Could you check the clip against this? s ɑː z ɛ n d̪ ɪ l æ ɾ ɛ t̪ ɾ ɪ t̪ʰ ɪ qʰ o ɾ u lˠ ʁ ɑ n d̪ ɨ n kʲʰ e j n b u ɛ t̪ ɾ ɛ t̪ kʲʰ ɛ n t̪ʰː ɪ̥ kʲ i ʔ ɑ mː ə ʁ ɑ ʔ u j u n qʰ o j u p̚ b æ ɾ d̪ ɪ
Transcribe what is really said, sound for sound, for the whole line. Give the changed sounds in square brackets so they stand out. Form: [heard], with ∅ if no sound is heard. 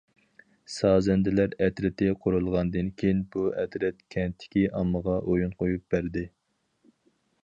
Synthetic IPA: s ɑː z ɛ n d̪ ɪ l æ ɾ ɛ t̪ ɾ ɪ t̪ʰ ɪ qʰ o ɾ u lˠ ʁ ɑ n d̪ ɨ n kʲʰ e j n b u ɛ t̪ ɾ ɛ t̪ kʲʰ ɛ n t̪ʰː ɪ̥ kʲ i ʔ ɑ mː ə ʁ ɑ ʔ [o] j u n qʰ o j u p̚ b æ ɾ d̪ ɪ